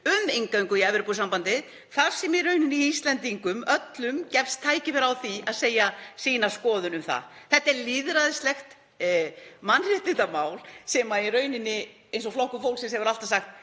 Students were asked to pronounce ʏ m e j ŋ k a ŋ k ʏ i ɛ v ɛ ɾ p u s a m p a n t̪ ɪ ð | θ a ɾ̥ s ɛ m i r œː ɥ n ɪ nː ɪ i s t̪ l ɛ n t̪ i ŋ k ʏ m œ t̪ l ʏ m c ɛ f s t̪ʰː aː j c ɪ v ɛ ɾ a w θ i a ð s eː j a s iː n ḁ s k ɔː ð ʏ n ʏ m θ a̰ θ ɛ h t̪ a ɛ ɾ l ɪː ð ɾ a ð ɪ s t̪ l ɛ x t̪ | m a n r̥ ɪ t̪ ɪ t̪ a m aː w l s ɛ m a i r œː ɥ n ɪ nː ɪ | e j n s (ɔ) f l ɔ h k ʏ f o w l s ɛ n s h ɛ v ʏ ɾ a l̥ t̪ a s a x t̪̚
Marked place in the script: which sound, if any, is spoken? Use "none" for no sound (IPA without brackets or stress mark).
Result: ɔ